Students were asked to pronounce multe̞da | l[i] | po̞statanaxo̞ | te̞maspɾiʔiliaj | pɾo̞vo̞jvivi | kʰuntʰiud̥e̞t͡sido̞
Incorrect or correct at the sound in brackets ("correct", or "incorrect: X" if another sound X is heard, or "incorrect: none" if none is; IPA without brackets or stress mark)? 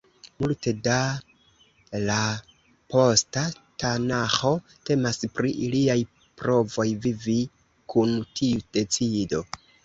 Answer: incorrect: a